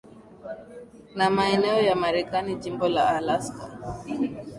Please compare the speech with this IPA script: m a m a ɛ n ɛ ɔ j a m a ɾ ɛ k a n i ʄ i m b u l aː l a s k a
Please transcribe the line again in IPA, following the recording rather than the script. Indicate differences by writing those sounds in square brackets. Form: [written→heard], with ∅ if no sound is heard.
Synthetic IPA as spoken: [m→n] a m a ɛ n ɛ ɔ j a m a ɾ ɛ k a n i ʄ i m b [u→ɔ] l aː l a s k a